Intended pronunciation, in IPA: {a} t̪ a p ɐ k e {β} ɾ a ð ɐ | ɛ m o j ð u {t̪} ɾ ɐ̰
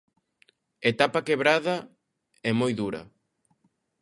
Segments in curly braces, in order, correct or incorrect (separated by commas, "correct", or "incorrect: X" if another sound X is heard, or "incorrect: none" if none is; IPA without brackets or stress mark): incorrect: e, correct, incorrect: none